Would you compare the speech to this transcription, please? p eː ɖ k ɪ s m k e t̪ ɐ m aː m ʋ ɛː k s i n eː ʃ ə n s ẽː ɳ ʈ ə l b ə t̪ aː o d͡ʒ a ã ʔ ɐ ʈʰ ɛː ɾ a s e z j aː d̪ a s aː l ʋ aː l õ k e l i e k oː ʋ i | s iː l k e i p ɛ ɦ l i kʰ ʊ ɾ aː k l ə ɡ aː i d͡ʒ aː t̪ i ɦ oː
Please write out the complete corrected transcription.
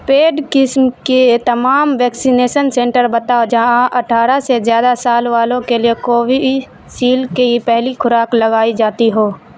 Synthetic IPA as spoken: p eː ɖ k ɪ s m k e t̪ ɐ m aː m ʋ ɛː k s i n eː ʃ ə n s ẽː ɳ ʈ ə ɾ b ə t̪ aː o d͡ʒ a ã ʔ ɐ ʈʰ aː ɾ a s e z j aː d̪ a s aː l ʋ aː l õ k e l i e k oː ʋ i | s iː l k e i p ɛ ɦ l i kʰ ʊ ɾ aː k l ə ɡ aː i d͡ʒ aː t̪ i ɦ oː